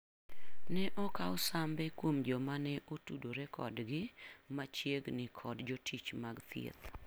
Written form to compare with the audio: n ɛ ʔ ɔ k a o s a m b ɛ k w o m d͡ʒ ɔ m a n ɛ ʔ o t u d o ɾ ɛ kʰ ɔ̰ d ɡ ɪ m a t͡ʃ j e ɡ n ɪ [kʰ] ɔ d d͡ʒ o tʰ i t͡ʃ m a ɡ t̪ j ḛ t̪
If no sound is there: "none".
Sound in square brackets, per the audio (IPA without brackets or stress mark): kʰ